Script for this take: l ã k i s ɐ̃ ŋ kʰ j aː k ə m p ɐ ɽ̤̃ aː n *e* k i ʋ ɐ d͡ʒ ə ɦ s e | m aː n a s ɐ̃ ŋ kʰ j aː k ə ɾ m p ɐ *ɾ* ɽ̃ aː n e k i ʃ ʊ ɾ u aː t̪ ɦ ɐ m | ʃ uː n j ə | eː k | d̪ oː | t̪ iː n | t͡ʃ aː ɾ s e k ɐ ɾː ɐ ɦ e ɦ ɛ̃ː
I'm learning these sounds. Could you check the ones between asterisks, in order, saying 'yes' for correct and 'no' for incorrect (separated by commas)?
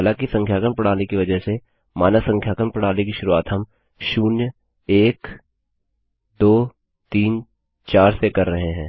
yes, no